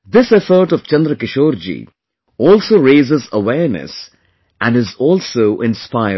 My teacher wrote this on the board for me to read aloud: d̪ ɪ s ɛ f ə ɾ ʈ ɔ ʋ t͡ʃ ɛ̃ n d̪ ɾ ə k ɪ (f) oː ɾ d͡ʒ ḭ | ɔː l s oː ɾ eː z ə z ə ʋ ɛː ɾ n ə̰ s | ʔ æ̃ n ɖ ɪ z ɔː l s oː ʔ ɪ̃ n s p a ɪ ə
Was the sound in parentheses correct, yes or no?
no